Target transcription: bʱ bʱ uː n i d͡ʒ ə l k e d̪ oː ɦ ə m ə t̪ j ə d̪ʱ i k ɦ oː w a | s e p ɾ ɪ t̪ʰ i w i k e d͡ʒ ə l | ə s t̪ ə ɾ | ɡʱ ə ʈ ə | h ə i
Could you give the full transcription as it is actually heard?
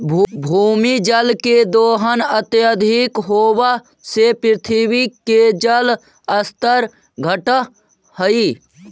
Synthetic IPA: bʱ bʱ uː m i d͡ʒ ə l k e d̪ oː ɦ ə n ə t̪ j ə d̪ʱ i k ɦ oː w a | s e p ɾ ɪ t̪ʰ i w i k e d͡ʒ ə l | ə s t̪ ə ɾ | ɡʱ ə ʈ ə | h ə i